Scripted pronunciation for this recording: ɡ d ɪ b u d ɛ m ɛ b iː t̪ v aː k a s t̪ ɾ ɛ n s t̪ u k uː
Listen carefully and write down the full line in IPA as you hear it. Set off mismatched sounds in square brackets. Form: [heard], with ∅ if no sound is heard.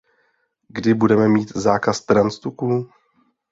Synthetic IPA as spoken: ɡ d ɪ b u d ɛ m ɛ [m] iː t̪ [z] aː k a s t̪ ɾ [a] n s t̪ u k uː